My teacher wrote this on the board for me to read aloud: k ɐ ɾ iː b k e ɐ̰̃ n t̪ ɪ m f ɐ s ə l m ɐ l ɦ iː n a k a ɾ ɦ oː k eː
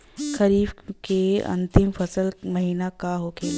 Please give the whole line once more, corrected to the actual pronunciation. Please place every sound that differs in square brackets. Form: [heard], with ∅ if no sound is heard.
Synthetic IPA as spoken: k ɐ ɾ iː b k e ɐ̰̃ n t̪ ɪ m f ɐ s ə l m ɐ [∅] ɦ iː n a k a [∅] ɦ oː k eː

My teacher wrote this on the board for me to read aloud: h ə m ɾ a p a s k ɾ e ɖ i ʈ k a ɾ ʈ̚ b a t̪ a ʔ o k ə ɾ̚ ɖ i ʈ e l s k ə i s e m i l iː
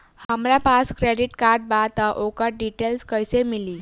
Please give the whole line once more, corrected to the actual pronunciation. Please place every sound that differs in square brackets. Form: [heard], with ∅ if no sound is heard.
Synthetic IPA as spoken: h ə m ɾ a p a s k ɾ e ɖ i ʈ k a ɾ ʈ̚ b a t̪ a ʔ o k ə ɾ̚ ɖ i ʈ e l s k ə [j] s e m i l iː

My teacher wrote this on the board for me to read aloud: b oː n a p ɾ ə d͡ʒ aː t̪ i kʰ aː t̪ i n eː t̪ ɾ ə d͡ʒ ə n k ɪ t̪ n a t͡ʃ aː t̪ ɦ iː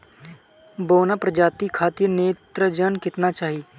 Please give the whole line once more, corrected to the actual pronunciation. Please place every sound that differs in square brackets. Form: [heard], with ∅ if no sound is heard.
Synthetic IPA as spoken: b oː n a p ɾ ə d͡ʒ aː t̪ i kʰ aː t̪ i n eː t̪ ɾ ə d͡ʒ ə n k ɪ t̪ n a t͡ʃ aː [∅] ɦ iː

